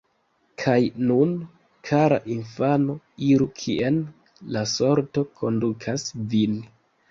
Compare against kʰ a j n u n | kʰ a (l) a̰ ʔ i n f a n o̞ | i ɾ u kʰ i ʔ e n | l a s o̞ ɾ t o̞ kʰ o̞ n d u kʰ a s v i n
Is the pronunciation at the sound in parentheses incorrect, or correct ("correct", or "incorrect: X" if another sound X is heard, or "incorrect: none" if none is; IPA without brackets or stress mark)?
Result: incorrect: ɾ